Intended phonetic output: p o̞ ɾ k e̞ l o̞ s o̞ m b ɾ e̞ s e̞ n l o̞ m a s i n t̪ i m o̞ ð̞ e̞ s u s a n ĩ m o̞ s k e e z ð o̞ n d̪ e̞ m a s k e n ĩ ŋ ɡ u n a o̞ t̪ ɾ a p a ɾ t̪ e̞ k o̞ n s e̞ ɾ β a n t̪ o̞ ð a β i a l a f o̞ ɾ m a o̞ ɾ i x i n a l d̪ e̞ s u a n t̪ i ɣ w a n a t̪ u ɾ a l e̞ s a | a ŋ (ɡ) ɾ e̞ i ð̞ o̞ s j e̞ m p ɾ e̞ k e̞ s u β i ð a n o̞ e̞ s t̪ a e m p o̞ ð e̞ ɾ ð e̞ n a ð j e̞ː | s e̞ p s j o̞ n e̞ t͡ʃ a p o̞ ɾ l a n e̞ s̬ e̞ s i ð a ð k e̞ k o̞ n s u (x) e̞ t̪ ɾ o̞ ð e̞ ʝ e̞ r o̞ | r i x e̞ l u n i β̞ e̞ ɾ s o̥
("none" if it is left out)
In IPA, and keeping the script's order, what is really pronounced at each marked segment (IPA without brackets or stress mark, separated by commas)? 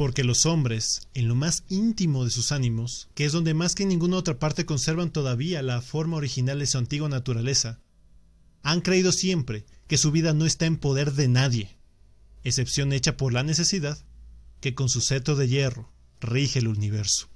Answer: k, s